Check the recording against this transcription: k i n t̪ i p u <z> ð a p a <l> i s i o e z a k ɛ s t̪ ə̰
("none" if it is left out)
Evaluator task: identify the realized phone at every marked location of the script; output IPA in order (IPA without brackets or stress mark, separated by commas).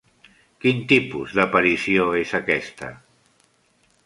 z, ɾ